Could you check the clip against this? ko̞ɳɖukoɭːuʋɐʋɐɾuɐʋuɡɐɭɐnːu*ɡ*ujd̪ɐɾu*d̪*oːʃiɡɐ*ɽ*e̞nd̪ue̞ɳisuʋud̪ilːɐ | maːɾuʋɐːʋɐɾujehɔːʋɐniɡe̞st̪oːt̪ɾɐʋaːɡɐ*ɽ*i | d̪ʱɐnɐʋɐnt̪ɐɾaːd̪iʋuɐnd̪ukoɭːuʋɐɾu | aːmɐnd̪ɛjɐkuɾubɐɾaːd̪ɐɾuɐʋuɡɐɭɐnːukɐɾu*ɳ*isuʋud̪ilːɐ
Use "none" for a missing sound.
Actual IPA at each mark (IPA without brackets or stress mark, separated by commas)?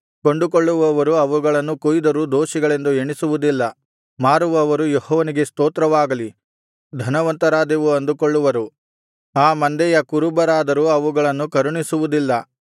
k, d̪, ɭ, l, ɳ